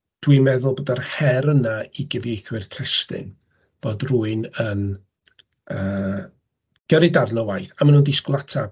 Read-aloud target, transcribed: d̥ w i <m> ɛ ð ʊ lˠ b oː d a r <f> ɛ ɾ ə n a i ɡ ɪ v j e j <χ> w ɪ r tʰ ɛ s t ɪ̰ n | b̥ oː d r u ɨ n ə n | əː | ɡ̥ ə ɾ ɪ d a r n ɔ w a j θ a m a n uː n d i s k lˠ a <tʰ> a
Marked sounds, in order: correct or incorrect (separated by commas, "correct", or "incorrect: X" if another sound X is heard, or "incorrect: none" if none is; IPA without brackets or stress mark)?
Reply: correct, incorrect: h, incorrect: θ, correct